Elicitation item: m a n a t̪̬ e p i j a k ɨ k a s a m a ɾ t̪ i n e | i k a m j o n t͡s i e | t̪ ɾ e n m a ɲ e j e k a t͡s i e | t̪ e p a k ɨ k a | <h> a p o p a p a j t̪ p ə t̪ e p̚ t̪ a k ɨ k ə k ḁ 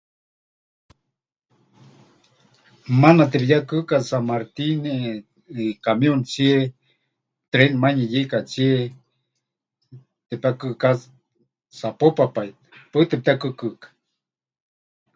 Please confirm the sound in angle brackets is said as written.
no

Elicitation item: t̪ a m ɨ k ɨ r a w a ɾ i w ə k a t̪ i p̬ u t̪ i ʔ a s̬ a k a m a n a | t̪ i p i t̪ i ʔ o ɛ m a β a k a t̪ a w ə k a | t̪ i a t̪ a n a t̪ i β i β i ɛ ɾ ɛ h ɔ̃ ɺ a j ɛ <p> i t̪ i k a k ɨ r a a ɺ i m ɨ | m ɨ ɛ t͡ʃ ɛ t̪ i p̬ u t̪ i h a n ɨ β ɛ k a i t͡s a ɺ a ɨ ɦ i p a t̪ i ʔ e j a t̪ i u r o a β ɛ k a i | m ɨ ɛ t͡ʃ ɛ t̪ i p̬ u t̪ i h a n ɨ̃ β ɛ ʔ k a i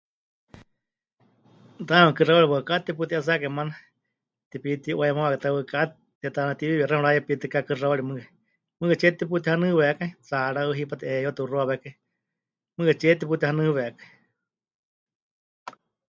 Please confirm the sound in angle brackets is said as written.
yes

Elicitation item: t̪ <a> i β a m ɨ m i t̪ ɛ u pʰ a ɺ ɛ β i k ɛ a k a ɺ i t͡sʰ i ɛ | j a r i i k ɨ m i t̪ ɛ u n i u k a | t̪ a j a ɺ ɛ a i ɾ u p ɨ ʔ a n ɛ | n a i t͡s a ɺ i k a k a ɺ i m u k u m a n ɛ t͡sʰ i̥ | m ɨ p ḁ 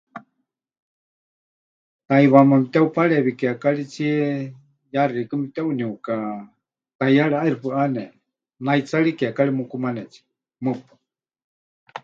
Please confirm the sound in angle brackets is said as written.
yes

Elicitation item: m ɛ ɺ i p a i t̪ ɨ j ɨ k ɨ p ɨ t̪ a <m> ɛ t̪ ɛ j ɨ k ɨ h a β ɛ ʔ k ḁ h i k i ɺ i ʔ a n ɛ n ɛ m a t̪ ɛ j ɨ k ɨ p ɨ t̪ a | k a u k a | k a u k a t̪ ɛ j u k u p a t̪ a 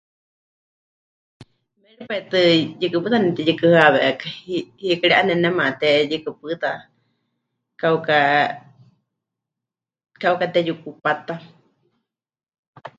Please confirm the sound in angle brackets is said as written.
no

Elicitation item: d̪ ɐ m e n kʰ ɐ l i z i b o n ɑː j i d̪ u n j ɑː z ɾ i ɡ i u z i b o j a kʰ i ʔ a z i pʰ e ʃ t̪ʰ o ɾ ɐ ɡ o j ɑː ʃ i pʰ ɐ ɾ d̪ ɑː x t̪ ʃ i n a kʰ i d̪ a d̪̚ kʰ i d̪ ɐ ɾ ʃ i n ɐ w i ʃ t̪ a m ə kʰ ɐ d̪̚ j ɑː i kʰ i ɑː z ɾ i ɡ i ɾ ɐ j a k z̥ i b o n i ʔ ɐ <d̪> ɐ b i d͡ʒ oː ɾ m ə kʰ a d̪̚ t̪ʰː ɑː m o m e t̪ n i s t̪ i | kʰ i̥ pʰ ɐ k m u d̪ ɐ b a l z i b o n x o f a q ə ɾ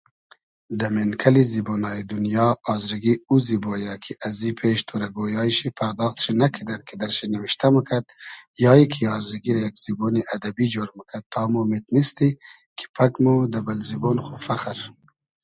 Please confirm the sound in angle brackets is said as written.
yes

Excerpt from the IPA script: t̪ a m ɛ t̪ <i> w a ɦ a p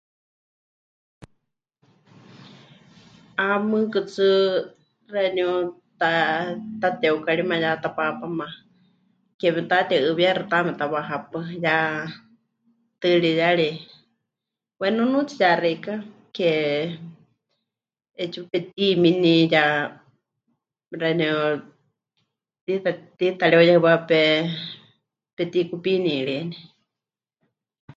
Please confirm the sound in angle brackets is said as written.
no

